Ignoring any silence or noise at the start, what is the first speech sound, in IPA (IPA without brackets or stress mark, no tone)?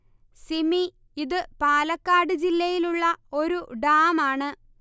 s